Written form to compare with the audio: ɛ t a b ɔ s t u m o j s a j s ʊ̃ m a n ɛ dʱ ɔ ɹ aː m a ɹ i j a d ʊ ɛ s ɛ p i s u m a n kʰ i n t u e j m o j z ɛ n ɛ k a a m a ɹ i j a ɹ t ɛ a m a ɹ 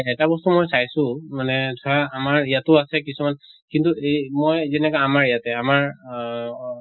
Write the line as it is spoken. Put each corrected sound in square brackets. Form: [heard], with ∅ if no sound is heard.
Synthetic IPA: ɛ t a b ɔ s t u m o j s a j s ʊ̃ m a n ɛ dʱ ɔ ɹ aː m a ɹ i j a [t] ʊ [a] s ɛ [k] i s u m a n [k] i n t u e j m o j z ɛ n ɛ k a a m a ɹ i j a [∅] t ɛ a m a ɹ

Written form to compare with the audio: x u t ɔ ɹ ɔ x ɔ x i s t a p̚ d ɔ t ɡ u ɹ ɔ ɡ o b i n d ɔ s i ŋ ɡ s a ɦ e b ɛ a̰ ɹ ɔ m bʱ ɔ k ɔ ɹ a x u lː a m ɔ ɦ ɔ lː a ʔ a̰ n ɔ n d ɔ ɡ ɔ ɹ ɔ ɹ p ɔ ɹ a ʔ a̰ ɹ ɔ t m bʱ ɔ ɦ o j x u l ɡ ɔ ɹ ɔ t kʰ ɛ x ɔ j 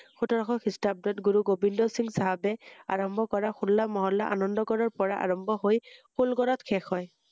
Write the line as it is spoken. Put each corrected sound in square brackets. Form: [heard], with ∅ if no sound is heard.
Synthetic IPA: x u t ɔ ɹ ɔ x ɔ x i s t a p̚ d ɔ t ɡ u ɹ [u] ɡ o b i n d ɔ s i ŋ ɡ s a ɦ [a] b ɛ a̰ ɹ ɔ m bʱ ɔ k ɔ ɹ a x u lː a m ɔ ɦ ɔ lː a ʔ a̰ n ɔ n d ɔ ɡ ɔ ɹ ɔ ɹ p ɔ ɹ a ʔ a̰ ɹ ɔ [∅] m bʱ ɔ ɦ o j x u l ɡ ɔ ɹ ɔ t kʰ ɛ x ɔ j

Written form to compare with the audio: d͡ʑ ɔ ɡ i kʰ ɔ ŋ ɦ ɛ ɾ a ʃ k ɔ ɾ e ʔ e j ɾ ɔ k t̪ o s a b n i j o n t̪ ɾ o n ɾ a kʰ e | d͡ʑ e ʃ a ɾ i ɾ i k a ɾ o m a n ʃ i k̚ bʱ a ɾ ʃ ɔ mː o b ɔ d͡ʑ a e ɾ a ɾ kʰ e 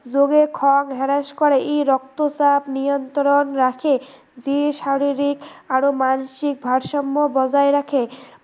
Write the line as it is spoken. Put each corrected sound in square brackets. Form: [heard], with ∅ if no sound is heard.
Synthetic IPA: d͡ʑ [o] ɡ [e] kʰ ɔ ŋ ɦ ɛ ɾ a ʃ k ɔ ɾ e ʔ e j ɾ ɔ k t̪ o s a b n i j o n t̪ ɾ o n ɾ a kʰ e | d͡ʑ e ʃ a ɾ i ɾ i k a ɾ o m a n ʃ i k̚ bʱ a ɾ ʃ ɔ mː o b ɔ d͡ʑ a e ɾ a [∅] kʰ e

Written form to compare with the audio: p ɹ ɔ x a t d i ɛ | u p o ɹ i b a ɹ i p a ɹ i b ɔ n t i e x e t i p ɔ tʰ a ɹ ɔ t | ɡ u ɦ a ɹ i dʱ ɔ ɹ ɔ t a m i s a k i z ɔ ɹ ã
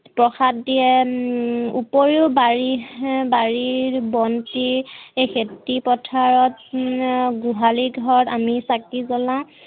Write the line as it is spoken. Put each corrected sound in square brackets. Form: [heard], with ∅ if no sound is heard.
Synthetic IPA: p ɹ ɔ x a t d i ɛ | u p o ɹ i b a ɹ i [b] a ɹ i b ɔ n t i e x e t i p ɔ tʰ a ɹ ɔ t | ɡ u ɦ a [l] i [ɡʱ] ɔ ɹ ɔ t a m i s a k i z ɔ [l] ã

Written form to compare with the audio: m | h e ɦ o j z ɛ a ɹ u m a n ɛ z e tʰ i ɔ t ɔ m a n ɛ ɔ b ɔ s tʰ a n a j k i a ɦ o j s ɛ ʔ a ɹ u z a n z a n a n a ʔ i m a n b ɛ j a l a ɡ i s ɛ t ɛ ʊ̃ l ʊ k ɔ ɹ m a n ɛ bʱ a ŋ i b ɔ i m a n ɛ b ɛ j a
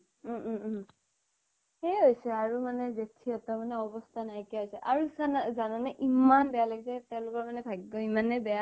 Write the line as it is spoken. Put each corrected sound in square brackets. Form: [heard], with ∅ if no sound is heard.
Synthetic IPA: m | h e ɦ o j [s] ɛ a ɹ u m a n ɛ z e tʰ i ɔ t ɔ m a n ɛ ɔ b ɔ s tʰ a n a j k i a ɦ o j s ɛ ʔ a ɹ u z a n z a n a n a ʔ i m a n b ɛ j a l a ɡ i s ɛ t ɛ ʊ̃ l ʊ k ɔ ɹ m a n ɛ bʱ a [ɡ] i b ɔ i m a n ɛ b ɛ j a

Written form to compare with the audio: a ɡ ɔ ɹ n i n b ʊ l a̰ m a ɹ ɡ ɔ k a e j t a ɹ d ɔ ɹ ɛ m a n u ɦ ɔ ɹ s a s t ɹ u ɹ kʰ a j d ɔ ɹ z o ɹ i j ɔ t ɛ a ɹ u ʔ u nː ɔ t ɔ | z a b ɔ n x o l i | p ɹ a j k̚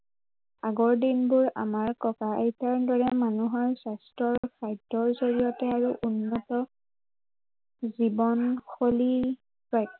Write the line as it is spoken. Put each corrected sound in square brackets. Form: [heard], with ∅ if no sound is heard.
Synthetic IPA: a ɡ ɔ ɹ [d] i n b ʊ [ɹ] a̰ m a ɹ [k] ɔ k a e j t a ɹ d ɔ ɹ ɛ m a n u ɦ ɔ ɹ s a s t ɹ [ɔ] ɹ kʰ a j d ɔ ɹ z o ɹ i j ɔ t ɛ a ɹ u ʔ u nː ɔ t ɔ | z [i] b ɔ n x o l i | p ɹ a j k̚

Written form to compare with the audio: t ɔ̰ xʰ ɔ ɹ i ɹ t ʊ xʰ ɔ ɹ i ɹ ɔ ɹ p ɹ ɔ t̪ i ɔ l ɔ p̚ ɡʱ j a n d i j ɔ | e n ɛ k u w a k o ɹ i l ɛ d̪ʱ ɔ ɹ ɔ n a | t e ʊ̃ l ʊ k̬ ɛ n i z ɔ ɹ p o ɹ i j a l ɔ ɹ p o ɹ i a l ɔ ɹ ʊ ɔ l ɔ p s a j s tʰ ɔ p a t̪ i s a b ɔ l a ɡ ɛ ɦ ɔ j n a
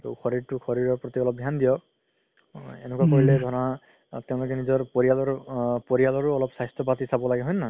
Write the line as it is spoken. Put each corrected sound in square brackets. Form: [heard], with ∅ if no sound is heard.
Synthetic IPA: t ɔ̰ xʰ ɔ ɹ i ɹ t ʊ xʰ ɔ ɹ i ɹ ɔ ɹ p ɹ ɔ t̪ i ɔ l ɔ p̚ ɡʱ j a n d i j ɔ | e n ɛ k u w a k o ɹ i l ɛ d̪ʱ ɔ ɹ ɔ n a | t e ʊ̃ l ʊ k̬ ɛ n i z ɔ ɹ p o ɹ i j a l ɔ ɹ p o ɹ i a l ɔ ɹ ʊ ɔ l ɔ p s a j s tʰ ɔ p a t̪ i s a b ɔ l a ɡ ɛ ɦ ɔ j n a

